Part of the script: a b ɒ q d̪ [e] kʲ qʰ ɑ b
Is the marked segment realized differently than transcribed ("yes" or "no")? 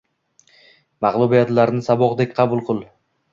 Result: no